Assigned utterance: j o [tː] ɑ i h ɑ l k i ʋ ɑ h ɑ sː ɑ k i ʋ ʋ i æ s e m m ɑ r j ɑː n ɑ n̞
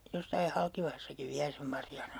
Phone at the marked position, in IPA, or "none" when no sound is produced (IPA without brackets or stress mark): sː